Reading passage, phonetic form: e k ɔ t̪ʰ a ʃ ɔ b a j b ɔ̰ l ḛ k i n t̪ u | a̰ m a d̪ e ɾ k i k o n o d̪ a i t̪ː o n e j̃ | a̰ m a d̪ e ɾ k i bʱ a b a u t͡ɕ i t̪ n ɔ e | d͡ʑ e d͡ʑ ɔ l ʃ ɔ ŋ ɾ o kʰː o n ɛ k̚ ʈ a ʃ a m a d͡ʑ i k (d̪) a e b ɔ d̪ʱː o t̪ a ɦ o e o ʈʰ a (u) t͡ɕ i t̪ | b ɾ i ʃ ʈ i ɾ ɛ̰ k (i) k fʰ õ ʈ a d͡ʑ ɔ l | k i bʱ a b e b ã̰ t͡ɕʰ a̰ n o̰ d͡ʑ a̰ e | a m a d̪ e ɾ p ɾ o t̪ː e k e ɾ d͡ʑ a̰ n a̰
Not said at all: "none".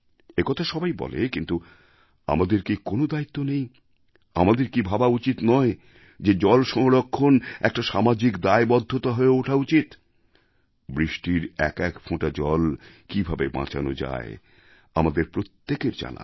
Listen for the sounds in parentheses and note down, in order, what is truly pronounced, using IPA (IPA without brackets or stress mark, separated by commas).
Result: d̪, u, ɛ